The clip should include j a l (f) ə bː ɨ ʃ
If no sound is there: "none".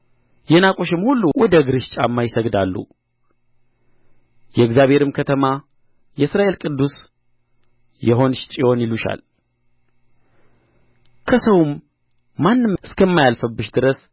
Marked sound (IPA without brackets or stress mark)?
f